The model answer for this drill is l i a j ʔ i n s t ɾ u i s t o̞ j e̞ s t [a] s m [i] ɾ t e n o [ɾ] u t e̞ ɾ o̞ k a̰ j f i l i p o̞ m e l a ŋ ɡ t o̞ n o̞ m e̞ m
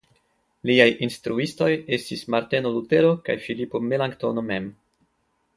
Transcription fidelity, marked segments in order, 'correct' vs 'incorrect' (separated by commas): incorrect, incorrect, incorrect